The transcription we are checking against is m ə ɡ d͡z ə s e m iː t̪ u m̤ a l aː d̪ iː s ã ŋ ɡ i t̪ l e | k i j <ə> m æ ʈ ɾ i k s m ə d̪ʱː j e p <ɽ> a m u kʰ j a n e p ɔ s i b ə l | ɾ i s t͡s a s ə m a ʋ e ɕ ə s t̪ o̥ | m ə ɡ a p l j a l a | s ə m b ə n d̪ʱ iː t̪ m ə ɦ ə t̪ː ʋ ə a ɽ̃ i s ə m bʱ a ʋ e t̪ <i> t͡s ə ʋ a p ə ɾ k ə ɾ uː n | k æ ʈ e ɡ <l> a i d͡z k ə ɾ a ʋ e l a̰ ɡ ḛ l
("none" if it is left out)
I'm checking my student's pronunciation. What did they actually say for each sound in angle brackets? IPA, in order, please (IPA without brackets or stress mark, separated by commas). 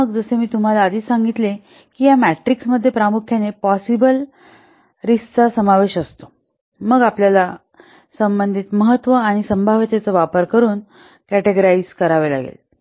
a, ɾ, e, ɾ